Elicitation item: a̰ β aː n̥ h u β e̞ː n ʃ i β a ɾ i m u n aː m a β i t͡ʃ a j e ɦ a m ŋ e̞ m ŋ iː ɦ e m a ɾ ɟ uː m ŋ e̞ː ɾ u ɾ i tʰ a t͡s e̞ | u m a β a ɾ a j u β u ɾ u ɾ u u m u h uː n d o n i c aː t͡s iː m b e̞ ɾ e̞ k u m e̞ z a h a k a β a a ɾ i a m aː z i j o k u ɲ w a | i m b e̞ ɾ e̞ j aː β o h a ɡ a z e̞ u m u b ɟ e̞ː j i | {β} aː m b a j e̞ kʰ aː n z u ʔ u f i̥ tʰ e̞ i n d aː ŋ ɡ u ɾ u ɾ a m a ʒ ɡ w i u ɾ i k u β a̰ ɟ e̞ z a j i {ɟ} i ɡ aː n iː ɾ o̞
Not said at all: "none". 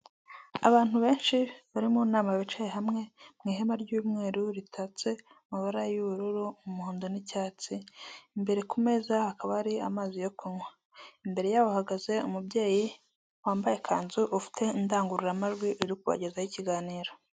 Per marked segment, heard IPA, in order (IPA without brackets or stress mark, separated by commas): w, c